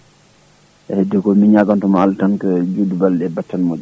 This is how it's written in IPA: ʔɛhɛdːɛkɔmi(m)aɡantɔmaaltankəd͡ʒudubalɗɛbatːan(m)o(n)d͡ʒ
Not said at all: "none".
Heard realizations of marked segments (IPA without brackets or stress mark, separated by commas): ɲ, m, none